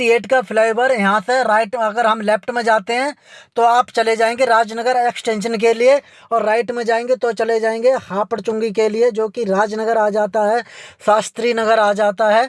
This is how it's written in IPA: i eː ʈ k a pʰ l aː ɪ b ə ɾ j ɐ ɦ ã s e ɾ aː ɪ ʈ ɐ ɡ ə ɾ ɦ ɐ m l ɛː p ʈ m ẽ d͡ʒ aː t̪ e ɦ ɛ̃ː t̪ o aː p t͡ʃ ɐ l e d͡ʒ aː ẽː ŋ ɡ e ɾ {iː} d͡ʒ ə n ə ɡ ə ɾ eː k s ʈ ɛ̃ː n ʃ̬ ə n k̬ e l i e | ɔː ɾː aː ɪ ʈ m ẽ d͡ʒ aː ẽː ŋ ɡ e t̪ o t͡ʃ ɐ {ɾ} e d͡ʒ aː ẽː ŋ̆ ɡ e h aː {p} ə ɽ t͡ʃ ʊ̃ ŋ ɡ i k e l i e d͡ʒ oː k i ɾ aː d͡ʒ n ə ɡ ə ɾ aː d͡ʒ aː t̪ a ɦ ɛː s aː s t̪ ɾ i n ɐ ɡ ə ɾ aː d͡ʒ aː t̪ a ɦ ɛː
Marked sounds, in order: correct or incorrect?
incorrect: aː, incorrect: l, correct

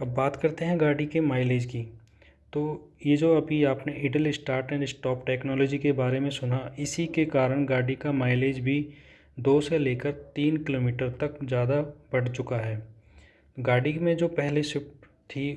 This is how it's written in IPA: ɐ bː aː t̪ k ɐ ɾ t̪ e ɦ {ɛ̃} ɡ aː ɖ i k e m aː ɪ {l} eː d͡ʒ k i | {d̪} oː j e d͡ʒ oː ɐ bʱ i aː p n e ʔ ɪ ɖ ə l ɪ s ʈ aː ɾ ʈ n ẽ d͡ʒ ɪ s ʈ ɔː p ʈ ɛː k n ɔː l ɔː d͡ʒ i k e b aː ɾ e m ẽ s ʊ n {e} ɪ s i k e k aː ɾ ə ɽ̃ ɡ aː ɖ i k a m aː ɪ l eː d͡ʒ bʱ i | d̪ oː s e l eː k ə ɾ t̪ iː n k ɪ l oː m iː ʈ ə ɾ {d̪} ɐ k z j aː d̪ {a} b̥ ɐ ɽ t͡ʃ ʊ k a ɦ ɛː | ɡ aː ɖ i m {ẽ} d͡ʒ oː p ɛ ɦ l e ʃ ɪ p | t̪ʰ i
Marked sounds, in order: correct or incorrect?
correct, correct, incorrect: t̪, incorrect: a, incorrect: t̪, correct, correct

